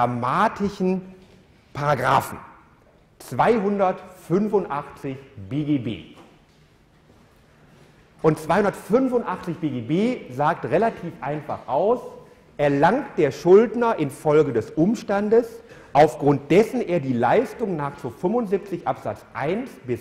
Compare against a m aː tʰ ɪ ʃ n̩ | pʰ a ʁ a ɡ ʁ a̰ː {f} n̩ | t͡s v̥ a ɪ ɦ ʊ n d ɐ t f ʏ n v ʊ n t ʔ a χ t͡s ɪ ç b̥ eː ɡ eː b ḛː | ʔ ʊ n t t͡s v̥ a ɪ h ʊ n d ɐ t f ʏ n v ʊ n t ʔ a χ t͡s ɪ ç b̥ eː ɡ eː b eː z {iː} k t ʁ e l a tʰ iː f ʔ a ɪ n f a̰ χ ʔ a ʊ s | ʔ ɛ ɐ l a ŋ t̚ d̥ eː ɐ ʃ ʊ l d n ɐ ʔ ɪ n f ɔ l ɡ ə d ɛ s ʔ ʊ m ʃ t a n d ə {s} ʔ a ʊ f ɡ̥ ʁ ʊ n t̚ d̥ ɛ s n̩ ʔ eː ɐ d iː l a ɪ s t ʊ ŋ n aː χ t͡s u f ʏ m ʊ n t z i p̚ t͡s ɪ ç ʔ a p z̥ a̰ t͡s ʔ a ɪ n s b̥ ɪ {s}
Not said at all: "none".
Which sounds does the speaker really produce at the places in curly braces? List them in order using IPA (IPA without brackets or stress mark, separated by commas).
f, aː, s, s